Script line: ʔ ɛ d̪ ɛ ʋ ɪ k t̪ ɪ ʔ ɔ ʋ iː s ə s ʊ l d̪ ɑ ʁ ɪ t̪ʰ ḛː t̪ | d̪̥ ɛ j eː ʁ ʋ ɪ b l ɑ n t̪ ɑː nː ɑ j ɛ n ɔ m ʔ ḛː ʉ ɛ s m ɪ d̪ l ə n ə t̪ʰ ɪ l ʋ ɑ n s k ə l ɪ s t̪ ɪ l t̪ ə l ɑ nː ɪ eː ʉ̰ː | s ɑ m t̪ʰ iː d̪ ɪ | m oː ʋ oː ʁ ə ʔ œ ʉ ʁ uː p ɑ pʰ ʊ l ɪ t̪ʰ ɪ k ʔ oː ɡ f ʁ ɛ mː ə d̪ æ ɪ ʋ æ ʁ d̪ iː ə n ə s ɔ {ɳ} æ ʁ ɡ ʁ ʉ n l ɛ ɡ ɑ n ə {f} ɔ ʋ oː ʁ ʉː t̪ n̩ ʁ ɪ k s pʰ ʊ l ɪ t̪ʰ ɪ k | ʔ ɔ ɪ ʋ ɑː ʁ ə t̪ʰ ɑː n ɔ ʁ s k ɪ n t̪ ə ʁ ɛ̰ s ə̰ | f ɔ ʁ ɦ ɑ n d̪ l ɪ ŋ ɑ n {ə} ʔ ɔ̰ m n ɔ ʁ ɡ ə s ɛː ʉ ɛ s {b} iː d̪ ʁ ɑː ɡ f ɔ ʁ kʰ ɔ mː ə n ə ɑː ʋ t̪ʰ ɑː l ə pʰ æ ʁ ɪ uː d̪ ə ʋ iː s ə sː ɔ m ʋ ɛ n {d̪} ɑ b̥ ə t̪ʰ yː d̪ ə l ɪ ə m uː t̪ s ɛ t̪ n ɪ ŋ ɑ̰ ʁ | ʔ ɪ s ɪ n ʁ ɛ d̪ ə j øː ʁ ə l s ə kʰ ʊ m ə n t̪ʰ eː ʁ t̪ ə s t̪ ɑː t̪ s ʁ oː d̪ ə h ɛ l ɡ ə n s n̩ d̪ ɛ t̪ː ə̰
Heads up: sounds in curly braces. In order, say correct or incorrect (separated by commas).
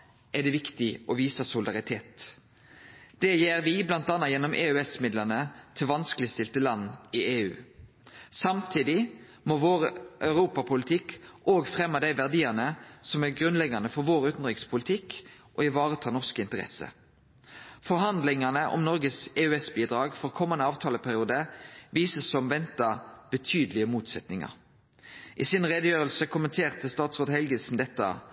incorrect, correct, correct, correct, incorrect